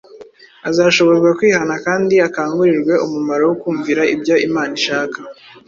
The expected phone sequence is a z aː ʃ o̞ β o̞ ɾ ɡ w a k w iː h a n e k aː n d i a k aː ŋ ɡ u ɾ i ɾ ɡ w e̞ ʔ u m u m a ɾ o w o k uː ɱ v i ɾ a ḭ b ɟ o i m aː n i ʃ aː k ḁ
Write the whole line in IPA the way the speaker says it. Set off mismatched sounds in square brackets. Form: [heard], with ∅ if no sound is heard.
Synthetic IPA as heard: a z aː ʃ o̞ β o̞ ɾ ɡ w a k w iː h a n [a] k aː n d i a k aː ŋ ɡ u ɾ i ɾ ɡ w e̞ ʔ u m u m a ɾ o w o k uː ɱ v i ɾ a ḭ b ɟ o i m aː n i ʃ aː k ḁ